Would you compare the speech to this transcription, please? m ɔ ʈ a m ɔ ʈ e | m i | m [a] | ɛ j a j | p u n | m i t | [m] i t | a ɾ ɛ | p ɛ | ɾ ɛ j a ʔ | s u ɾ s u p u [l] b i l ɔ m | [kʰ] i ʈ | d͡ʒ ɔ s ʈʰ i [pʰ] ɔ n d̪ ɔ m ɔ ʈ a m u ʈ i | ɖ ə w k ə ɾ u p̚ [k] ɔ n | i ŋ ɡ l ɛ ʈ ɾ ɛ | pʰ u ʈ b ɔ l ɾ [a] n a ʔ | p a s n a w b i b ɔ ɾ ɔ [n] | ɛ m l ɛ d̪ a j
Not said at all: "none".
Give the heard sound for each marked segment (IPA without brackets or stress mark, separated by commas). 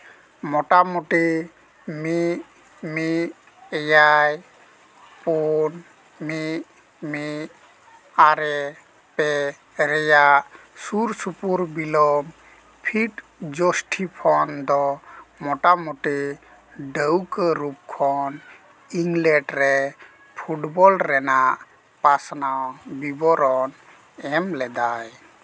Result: i, m, ɾ, pʰ, pʰ, kʰ, ɛ, n